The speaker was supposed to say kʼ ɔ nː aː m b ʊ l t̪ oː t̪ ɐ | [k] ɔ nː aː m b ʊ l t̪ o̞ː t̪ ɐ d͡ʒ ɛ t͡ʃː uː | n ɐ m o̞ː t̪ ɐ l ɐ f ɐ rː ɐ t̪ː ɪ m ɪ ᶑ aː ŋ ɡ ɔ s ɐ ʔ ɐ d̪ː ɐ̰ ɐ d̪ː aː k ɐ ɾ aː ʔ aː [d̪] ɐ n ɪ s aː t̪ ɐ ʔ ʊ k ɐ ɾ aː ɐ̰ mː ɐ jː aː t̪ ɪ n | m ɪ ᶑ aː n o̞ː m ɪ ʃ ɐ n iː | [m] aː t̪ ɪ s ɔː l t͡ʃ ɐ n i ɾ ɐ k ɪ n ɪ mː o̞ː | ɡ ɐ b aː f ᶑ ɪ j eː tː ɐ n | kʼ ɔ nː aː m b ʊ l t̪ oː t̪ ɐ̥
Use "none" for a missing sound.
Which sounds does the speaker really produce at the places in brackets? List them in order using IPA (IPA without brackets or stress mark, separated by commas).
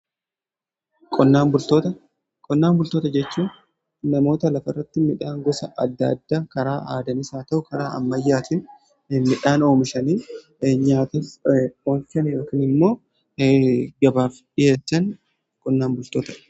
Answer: kʼ, d̪, ɲ